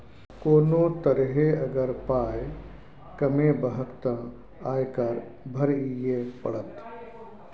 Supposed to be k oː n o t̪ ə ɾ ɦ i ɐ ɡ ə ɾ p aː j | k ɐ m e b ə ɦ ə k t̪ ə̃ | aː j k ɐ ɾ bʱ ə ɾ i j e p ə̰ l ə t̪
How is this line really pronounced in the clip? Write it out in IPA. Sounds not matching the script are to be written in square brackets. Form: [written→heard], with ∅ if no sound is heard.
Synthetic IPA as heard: k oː n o t̪ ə ɾ ɦ [i→e] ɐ ɡ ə ɾ p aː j | k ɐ m e b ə ɦ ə k t̪ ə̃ | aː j k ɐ ɾ bʱ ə ɾ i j e p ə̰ [l→ɽ] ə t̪

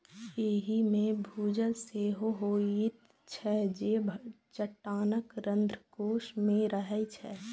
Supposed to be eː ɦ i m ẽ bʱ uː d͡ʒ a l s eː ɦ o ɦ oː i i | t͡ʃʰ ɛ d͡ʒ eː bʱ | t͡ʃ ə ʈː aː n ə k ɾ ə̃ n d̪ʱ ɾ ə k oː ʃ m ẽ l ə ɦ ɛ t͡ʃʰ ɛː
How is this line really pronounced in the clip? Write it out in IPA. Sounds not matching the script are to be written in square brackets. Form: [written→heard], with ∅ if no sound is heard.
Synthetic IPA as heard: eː ɦ i m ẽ bʱ uː d͡ʒ [a→ə] l s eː ɦ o ɦ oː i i | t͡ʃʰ ɛ d͡ʒ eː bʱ | t͡ʃ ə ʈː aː n ə k ɾ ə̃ n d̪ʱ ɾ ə k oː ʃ m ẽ [l→ɾ] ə ɦ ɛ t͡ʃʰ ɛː

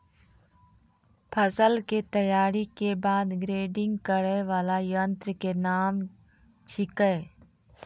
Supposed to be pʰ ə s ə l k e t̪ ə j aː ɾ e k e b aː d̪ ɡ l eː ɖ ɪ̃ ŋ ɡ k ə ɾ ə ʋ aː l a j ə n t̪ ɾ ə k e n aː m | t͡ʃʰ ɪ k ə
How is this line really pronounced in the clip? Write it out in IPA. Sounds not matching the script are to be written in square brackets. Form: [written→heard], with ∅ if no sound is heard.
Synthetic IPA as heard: pʰ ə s ə l k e t̪ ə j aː ɾ [e→i] k e b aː d̪ ɡ [l→ɾ] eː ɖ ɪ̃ ŋ ɡ k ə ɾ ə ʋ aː l a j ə n t̪ ɾ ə k e n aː m | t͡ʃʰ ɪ k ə

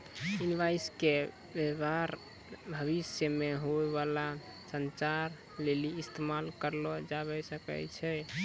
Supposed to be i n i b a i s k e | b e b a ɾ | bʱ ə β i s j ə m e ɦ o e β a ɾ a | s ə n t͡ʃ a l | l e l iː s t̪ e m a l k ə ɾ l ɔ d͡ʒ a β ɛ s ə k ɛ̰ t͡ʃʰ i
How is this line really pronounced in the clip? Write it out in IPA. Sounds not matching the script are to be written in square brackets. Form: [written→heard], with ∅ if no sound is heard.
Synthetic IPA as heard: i n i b a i s k e | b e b a ɾ | bʱ ə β i s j ə m e ɦ o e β a [ɾ→l] a | s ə n t͡ʃ a [l→ɾ] | l e l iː s t̪ e m a l k ə ɾ l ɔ d͡ʒ a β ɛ s ə k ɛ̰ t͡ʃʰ [i→ɛ]

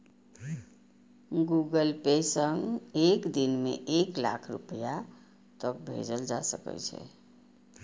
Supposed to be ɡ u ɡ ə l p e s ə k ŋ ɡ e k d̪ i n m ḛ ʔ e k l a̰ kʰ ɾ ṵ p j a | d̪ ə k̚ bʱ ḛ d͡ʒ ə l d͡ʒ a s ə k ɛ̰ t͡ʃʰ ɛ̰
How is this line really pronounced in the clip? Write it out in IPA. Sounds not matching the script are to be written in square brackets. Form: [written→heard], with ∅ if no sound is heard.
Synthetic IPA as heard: ɡ u ɡ ə l p e s ə [k→∅] ŋ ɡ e k d̪ i n m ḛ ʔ e k l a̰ kʰ ɾ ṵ p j a | [d̪→t̪] ə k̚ bʱ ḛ d͡ʒ ə l d͡ʒ a s ə k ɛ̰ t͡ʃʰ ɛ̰

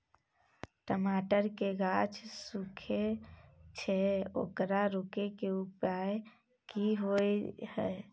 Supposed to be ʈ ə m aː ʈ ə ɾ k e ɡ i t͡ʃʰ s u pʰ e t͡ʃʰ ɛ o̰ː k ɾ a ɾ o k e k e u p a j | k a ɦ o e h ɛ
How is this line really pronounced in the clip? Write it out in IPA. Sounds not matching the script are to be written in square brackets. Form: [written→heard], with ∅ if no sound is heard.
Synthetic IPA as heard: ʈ ə m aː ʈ ə ɾ k e ɡ [i→a] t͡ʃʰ s u [pʰ→kʰ] e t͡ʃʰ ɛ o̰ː k ɾ a ɾ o k e k e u p a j | k [a→i] ɦ o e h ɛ

